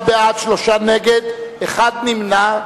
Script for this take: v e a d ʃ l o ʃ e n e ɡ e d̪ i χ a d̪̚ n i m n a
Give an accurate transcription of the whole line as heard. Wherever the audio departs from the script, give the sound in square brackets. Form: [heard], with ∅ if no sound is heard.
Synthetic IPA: [b] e a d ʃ l o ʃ [a] n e ɡ e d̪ [e] χ a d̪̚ n i m n a